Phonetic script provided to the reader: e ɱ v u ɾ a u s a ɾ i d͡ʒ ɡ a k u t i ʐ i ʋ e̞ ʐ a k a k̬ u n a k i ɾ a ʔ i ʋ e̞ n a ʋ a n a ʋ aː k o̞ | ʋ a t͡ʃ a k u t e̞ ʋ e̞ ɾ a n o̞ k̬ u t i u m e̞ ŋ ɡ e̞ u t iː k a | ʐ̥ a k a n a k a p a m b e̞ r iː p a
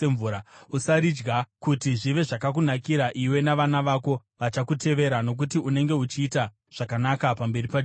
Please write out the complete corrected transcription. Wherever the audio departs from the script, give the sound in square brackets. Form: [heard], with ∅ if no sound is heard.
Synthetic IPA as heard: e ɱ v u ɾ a u s a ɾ i d͡ʒ ɡ a k u t i ʐ i ʋ e̞ ʐ a k a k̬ u n a k i ɾ a ʔ i [w] e̞ n a ʋ a n a ʋ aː k o̞ | ʋ a t͡ʃ a k u t e̞ ʋ e̞ ɾ a n o̞ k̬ u t i u [n] e̞ ŋ ɡ e̞ u [t͡ʃ] iː [t] a | ʐ̥ a k a n a k a p a m b e̞ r [i] p a